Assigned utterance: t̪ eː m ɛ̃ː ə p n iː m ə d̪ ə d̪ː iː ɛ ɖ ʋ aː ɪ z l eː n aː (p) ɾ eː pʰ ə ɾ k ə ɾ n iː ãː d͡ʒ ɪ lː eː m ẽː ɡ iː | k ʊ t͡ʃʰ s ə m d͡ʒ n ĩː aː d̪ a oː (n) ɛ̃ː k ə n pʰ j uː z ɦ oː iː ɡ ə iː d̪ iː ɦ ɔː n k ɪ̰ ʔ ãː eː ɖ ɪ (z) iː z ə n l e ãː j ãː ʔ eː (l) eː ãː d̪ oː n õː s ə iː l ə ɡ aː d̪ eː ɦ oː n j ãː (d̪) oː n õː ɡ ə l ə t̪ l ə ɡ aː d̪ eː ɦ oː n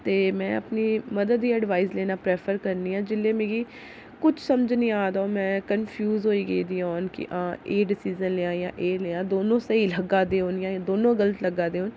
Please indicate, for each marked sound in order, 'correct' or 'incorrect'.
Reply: correct, incorrect: m, incorrect: s, correct, correct

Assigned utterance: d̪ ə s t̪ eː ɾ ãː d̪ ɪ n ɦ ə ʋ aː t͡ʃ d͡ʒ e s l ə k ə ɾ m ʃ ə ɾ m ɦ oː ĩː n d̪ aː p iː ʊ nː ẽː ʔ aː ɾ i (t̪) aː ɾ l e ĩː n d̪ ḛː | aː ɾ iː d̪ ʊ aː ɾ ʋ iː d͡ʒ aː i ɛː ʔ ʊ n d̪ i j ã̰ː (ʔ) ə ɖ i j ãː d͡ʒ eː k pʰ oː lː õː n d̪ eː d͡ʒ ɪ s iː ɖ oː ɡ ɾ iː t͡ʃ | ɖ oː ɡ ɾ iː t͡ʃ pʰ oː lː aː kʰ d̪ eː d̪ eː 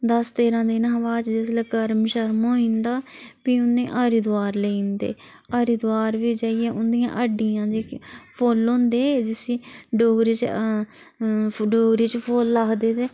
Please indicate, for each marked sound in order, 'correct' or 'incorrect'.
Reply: incorrect: d̪, correct

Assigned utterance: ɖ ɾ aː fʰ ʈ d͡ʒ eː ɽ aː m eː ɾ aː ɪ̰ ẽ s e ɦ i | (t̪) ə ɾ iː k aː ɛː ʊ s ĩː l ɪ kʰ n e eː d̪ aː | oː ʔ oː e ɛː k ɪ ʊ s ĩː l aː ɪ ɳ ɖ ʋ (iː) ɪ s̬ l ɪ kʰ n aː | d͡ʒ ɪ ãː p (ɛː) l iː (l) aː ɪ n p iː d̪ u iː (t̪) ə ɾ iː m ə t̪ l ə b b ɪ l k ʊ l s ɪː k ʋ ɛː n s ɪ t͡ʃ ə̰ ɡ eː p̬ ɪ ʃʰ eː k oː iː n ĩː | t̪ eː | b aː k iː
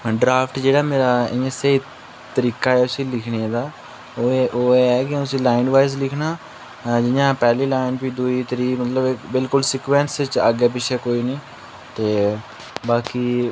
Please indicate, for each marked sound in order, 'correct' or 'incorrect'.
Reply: correct, incorrect: aː, correct, correct, correct

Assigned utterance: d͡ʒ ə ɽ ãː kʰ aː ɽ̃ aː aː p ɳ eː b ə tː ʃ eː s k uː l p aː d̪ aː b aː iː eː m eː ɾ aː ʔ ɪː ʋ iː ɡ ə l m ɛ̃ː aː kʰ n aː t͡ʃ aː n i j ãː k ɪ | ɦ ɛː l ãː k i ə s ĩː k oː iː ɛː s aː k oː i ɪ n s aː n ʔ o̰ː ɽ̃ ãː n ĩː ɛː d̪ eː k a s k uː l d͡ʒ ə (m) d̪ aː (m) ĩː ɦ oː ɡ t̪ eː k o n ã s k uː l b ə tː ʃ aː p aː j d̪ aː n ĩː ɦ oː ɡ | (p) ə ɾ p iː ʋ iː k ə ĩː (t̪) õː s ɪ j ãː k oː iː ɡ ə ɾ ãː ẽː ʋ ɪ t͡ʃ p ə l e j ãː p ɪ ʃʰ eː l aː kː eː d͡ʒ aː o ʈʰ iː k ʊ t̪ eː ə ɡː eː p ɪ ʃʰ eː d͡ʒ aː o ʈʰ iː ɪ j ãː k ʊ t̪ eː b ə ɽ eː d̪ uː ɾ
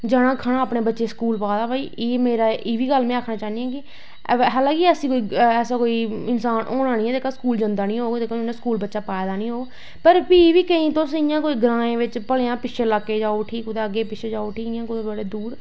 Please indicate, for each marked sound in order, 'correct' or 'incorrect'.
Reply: incorrect: n, incorrect: n, correct, correct

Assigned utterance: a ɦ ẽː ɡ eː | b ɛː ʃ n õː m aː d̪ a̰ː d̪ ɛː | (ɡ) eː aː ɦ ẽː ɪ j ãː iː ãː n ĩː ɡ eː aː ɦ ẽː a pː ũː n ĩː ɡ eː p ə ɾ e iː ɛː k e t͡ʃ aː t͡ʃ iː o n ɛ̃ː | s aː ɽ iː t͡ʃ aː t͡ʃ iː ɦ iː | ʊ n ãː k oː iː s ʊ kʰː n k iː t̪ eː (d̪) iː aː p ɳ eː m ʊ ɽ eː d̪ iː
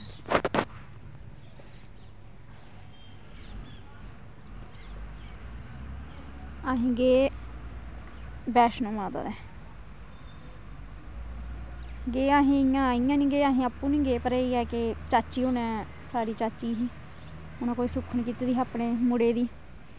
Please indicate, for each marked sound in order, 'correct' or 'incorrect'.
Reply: correct, correct

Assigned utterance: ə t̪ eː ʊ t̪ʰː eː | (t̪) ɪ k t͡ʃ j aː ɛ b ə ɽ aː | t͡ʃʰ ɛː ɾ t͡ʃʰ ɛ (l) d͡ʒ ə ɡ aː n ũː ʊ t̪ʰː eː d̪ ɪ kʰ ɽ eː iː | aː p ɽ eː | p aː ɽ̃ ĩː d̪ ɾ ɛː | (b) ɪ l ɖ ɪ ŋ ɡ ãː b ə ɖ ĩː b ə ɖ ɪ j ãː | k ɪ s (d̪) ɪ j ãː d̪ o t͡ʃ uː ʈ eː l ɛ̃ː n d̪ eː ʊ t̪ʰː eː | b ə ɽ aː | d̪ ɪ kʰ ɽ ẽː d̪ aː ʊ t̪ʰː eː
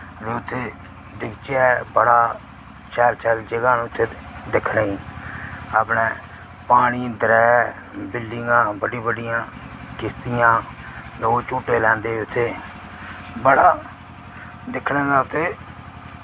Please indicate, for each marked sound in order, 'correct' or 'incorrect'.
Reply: incorrect: d̪, correct, correct, incorrect: t̪

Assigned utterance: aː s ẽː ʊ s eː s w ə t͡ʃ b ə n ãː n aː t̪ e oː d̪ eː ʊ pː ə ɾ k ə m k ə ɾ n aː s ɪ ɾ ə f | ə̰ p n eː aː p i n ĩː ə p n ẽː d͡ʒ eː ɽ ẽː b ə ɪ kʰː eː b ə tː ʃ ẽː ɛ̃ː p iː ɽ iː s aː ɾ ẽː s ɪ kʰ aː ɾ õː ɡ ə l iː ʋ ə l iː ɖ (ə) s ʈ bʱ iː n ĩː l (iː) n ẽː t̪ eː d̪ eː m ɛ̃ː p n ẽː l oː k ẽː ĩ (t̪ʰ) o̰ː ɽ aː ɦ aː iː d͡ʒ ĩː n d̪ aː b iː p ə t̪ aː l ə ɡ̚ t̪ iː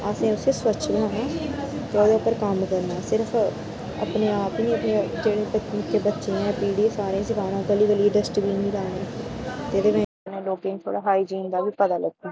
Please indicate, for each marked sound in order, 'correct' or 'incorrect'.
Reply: correct, incorrect: aː, correct

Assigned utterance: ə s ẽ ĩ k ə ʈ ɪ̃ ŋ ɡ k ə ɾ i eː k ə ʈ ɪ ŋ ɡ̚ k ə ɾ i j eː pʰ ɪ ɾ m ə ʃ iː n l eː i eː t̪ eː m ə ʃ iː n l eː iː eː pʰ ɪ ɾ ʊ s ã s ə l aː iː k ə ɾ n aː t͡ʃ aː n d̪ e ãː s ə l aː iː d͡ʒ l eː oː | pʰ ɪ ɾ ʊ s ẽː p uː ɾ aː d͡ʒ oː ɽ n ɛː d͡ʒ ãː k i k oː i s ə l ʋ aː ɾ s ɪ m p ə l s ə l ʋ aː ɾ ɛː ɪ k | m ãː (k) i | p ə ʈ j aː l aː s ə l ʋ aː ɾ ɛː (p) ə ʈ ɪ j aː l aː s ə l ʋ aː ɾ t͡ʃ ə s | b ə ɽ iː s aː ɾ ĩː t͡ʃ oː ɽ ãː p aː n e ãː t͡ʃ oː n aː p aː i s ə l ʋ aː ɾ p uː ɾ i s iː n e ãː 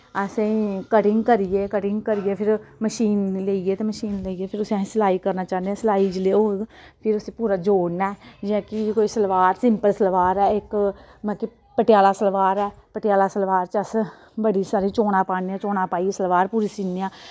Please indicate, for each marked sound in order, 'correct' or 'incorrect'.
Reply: correct, correct

